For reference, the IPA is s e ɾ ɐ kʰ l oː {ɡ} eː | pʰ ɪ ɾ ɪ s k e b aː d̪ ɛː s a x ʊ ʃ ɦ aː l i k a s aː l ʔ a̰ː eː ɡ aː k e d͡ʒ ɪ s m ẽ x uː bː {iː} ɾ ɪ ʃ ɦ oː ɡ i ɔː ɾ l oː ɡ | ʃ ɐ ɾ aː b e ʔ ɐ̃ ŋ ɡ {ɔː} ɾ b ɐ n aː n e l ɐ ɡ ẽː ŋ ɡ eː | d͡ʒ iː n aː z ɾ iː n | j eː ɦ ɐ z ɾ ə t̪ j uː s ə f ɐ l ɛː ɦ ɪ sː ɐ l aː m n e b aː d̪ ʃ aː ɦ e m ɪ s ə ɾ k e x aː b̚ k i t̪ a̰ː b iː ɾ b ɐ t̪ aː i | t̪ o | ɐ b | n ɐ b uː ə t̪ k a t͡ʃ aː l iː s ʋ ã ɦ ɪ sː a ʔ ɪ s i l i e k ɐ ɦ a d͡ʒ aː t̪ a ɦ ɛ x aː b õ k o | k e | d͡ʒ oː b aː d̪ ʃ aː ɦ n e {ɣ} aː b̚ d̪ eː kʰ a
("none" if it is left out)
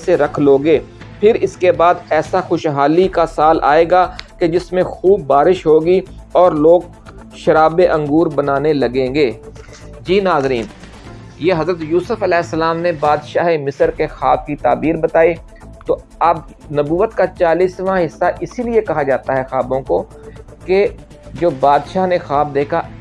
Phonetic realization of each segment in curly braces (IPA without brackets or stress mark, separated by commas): ɡ, aː, uː, x